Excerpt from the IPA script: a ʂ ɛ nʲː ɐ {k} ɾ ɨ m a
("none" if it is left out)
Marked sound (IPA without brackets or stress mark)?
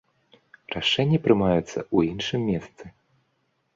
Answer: p